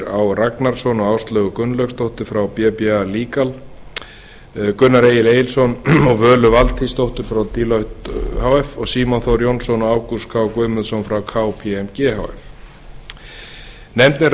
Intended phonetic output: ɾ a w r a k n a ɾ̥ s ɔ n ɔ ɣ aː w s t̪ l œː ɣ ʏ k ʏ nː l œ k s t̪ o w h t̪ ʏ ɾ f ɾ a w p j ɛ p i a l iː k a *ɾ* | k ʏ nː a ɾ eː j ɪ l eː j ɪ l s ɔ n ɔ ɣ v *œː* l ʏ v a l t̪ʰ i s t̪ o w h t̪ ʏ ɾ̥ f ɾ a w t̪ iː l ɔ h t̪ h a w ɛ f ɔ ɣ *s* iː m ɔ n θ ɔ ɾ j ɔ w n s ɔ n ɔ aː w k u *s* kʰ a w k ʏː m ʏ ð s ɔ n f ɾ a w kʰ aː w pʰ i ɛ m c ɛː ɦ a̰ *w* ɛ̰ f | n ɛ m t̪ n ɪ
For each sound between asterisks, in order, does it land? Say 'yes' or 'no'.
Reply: no, yes, yes, yes, yes

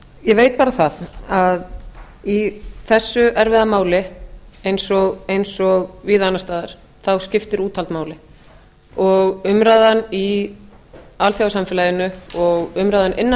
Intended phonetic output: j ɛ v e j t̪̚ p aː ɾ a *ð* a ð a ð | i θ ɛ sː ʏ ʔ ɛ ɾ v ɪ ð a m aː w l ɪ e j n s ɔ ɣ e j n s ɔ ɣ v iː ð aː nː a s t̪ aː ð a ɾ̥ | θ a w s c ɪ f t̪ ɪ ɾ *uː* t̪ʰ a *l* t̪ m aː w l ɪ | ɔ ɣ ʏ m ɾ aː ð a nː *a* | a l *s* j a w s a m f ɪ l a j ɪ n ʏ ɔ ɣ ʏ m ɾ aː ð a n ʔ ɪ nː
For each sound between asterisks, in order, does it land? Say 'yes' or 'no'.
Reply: no, yes, yes, no, no

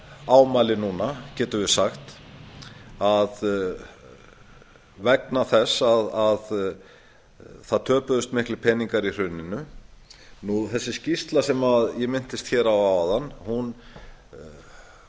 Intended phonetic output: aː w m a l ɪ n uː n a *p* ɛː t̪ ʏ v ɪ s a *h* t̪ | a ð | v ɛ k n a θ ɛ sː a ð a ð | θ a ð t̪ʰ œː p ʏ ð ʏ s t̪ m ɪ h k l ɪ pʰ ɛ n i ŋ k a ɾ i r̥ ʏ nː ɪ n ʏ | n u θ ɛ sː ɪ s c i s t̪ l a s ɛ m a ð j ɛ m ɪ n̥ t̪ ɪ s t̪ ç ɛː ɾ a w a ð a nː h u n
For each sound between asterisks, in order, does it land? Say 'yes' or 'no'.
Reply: no, no

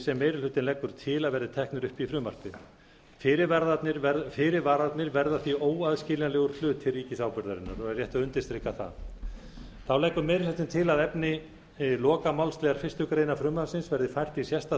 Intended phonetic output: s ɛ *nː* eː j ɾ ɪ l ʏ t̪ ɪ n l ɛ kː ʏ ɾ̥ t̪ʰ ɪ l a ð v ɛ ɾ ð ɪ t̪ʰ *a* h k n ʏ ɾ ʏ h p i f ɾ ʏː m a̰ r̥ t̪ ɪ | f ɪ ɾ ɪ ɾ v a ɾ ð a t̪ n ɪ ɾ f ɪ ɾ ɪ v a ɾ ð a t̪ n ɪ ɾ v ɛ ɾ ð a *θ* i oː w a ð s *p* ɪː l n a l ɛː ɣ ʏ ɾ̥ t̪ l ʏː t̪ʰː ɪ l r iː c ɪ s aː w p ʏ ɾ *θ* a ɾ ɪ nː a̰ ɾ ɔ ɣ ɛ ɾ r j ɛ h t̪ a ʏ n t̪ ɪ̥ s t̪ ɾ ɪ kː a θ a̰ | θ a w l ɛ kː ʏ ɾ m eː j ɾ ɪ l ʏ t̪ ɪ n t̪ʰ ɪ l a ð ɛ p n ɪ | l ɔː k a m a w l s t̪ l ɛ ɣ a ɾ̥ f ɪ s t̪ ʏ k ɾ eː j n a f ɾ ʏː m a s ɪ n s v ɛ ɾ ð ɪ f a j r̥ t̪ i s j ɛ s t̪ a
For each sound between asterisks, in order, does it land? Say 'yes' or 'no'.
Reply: no, no, yes, no, no

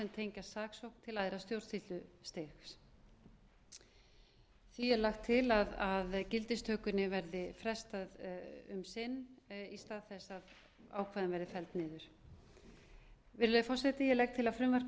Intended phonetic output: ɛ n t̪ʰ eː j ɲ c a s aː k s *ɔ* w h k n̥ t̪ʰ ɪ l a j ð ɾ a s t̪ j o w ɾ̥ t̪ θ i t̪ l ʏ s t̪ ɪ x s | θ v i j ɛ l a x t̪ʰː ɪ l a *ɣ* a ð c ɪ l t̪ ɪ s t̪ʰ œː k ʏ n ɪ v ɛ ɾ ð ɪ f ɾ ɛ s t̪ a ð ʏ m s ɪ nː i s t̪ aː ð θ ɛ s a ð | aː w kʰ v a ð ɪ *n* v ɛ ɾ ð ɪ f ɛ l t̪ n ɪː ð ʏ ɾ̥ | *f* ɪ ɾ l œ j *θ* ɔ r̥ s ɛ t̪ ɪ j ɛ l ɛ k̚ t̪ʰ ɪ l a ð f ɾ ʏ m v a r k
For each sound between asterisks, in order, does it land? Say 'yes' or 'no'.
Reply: no, no, yes, no, no

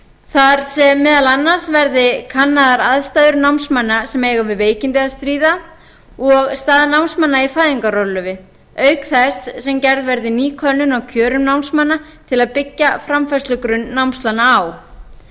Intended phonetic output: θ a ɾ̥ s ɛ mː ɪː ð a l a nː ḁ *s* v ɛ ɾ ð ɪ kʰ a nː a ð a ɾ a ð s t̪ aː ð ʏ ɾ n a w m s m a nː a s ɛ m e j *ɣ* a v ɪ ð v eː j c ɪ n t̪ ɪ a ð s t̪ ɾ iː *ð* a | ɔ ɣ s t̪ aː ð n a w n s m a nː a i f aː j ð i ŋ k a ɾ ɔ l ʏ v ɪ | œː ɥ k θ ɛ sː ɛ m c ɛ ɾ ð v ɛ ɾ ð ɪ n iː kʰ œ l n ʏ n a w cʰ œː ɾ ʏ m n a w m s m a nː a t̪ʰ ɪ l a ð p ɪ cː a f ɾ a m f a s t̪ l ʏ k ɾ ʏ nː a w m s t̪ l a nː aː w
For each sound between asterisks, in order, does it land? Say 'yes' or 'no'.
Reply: yes, yes, yes

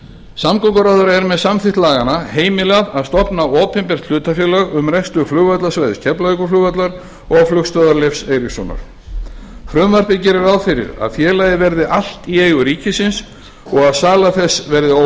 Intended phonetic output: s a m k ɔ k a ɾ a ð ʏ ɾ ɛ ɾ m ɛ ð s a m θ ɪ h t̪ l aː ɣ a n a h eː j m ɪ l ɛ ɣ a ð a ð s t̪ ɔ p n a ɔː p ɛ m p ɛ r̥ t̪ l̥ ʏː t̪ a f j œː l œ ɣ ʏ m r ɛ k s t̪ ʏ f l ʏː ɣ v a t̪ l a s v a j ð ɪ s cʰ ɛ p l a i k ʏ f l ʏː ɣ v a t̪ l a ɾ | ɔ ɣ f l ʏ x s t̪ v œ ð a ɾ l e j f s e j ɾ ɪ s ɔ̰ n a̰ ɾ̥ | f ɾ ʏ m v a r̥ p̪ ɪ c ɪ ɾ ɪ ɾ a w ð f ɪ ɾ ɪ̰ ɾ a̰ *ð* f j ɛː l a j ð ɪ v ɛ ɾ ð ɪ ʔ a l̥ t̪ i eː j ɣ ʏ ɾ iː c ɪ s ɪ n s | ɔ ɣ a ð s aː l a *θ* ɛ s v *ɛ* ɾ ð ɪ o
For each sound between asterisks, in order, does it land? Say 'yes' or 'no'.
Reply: yes, yes, yes

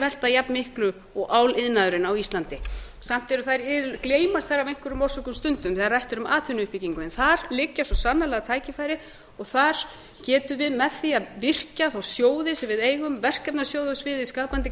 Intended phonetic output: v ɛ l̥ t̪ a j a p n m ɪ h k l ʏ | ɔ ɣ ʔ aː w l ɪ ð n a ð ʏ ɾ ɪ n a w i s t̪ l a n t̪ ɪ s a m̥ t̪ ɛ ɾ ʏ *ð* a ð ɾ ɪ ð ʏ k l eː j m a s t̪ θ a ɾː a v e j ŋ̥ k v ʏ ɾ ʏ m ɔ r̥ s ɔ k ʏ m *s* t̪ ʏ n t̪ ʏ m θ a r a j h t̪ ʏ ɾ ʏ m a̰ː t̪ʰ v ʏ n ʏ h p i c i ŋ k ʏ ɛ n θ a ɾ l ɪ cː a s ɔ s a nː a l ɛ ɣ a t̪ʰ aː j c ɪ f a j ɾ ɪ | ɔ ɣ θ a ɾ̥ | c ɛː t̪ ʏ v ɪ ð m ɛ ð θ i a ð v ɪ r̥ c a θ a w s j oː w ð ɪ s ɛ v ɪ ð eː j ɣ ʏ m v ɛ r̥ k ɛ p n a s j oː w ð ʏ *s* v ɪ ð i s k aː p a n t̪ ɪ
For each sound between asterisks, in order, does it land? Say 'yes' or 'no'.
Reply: no, yes, yes

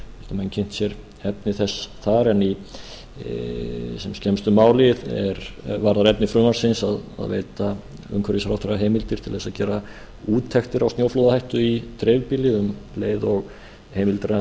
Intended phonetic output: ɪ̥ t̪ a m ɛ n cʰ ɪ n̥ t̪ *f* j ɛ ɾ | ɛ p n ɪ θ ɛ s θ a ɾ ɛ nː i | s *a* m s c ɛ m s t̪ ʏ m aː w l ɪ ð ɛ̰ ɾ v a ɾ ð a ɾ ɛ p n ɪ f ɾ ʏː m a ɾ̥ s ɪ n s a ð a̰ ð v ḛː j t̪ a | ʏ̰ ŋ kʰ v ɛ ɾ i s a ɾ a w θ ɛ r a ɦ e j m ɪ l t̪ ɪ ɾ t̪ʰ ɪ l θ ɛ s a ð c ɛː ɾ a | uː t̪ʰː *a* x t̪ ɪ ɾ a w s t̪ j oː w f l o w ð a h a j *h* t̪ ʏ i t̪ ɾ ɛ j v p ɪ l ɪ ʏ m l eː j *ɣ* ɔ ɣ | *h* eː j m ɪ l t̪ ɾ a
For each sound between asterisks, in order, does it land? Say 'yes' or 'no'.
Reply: no, no, no, yes, no, yes

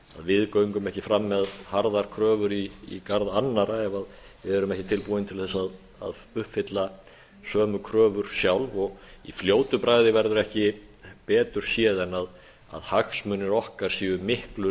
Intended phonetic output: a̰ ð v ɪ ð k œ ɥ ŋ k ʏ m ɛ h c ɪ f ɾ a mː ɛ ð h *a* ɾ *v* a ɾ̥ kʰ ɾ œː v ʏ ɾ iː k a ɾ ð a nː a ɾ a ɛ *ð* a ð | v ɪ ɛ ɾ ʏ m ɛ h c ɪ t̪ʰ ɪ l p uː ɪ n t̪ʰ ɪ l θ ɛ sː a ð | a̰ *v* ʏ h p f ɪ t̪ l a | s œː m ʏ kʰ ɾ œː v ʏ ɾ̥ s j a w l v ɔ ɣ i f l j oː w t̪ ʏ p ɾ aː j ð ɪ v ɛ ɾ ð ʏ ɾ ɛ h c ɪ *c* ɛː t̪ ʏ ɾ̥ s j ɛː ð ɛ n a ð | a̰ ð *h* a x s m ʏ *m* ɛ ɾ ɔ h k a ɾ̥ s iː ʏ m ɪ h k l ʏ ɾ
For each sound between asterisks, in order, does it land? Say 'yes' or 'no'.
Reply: yes, no, no, no, no, yes, no

